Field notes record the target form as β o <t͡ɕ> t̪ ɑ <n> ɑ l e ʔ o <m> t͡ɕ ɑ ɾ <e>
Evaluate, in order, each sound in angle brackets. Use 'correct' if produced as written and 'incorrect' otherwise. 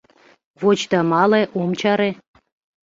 correct, incorrect: m, correct, correct

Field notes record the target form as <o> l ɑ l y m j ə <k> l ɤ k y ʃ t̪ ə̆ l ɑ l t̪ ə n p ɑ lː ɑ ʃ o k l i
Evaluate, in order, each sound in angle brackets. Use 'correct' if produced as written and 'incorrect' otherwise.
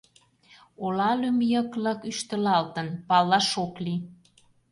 correct, correct

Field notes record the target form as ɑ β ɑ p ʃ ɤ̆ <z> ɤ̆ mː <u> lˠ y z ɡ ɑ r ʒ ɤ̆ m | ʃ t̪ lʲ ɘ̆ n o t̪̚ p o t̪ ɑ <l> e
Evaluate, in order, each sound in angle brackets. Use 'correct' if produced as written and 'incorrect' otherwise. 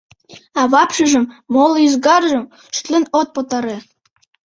incorrect: ʒ, incorrect: o, incorrect: ɾ

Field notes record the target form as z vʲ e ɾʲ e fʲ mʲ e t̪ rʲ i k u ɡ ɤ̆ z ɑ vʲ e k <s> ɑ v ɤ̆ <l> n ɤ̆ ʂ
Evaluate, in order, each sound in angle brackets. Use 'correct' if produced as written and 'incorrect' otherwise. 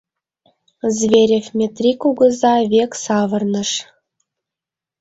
correct, incorrect: r

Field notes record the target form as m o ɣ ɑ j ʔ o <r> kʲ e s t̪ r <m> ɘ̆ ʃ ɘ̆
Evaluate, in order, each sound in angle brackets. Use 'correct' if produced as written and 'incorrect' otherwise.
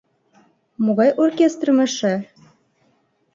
correct, correct

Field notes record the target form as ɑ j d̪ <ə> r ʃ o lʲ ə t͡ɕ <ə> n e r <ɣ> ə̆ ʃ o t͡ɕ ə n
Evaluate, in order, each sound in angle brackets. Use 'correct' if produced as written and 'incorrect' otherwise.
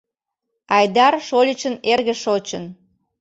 incorrect: ɑ, correct, correct

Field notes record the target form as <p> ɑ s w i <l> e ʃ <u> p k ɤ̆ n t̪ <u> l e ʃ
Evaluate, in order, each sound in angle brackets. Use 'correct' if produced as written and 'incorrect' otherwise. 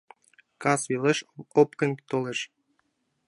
incorrect: k, correct, incorrect: o, incorrect: o

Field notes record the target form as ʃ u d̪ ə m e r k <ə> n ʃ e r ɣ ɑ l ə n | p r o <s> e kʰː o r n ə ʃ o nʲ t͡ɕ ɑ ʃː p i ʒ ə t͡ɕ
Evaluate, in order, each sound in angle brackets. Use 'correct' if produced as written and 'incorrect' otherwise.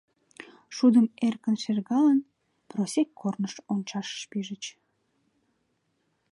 correct, correct

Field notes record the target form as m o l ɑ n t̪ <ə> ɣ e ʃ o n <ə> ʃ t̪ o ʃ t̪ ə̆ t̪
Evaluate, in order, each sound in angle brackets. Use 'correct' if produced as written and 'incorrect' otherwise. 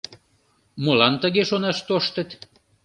correct, incorrect: ɑ

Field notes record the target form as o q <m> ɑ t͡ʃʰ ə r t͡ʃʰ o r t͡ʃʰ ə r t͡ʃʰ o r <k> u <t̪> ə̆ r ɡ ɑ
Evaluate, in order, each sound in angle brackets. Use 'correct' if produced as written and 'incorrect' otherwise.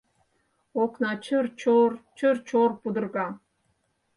incorrect: n, incorrect: p, incorrect: d̪

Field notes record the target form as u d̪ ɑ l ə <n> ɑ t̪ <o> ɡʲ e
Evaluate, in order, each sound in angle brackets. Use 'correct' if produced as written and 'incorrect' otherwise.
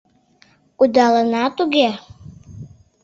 correct, incorrect: u

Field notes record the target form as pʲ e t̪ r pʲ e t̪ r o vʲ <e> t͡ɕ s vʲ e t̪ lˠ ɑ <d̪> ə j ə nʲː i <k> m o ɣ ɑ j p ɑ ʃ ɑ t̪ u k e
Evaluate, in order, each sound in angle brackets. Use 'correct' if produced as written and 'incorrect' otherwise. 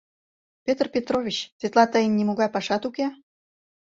incorrect: i, incorrect: t̪, incorrect: none

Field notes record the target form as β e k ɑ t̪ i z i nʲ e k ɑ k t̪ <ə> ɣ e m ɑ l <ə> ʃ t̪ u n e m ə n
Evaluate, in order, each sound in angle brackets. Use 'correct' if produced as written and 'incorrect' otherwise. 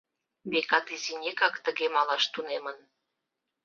correct, incorrect: ɑ

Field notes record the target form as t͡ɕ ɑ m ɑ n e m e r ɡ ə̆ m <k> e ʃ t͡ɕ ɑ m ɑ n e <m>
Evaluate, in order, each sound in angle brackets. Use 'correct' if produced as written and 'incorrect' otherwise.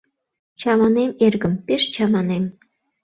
incorrect: p, correct

